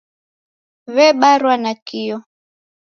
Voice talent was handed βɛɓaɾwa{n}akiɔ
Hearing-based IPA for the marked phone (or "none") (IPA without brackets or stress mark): n